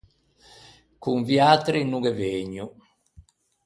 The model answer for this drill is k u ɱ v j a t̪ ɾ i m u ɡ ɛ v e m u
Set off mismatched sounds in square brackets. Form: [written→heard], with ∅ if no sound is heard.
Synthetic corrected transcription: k u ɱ v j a t̪ ɾ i [m→n] u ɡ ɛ v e [m→ɲ] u